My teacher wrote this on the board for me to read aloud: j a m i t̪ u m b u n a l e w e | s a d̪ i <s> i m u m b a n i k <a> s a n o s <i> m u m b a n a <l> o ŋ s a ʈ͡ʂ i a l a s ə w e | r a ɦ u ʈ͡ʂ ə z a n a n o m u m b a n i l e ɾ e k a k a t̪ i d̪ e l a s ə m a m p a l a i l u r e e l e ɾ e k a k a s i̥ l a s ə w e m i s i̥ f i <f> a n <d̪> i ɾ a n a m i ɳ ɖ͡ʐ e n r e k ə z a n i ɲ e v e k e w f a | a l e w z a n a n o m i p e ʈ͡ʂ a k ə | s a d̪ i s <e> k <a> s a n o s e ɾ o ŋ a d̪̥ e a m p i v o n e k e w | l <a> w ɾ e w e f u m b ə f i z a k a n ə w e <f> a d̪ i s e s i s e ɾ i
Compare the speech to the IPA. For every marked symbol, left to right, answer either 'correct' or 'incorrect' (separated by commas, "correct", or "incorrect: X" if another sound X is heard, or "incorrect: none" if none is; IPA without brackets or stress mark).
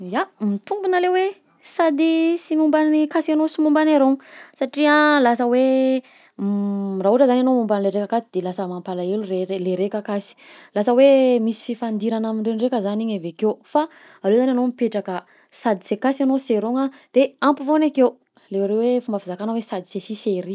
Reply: correct, correct, correct, incorrect: ɾ, correct, correct, correct, correct, incorrect: e, incorrect: s